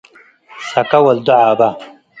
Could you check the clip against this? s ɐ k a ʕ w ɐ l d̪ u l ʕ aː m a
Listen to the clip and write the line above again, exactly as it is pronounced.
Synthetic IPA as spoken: s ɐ k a w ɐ l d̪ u ʕ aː b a